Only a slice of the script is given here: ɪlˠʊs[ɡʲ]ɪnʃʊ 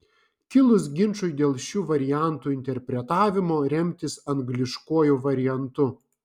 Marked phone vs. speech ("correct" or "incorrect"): correct